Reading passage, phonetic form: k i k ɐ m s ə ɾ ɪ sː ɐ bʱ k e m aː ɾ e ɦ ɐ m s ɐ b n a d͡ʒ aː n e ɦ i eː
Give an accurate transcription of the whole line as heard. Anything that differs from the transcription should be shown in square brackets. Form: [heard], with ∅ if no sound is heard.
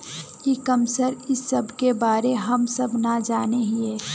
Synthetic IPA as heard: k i k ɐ m s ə ɾ ɪ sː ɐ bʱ k e [b] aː ɾ e ɦ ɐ m s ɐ b n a d͡ʒ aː n e ɦ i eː